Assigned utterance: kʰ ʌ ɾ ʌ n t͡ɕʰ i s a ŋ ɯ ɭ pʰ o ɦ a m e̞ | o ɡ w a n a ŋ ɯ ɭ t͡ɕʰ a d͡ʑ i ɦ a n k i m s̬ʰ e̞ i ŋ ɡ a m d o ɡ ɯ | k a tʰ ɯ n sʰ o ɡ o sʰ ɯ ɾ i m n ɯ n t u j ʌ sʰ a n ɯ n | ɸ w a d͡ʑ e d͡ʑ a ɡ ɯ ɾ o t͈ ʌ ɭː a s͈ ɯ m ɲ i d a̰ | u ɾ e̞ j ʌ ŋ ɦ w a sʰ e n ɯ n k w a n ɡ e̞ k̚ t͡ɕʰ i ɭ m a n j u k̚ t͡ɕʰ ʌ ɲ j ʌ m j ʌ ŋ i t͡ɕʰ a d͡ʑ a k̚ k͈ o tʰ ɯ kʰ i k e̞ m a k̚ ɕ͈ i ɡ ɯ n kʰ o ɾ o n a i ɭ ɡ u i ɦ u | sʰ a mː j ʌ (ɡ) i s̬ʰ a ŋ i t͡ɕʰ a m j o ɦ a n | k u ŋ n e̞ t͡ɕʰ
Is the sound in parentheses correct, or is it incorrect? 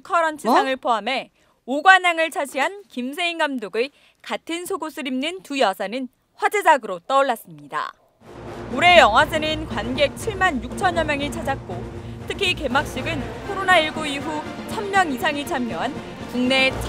incorrect